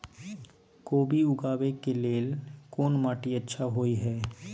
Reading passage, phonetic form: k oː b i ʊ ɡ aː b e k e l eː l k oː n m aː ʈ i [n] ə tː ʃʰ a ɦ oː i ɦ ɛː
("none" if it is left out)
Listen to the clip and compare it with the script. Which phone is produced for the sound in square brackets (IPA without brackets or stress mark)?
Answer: none